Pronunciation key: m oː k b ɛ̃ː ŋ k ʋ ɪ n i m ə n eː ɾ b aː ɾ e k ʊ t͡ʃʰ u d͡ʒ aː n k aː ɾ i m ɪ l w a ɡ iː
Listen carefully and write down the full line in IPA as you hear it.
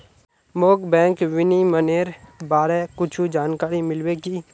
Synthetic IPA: m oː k b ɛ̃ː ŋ k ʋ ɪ n i m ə n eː ɾ b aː ɾ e k ʊ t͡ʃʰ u d͡ʒ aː n k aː ɾ i m ɪ l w e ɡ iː